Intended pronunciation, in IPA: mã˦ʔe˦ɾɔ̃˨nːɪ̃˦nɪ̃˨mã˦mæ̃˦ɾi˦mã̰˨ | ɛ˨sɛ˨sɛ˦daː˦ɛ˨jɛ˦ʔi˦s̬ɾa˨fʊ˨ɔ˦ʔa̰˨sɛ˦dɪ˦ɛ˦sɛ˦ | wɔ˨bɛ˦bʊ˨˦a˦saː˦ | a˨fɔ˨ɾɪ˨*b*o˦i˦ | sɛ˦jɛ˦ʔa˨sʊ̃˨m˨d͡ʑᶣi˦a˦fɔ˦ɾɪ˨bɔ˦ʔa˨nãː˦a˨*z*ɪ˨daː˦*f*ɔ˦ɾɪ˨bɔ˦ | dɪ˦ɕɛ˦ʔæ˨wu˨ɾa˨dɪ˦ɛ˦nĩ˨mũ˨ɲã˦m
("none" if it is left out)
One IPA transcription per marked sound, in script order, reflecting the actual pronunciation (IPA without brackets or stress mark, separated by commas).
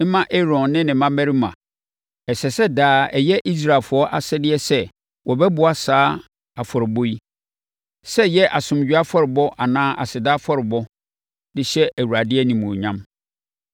b, s, f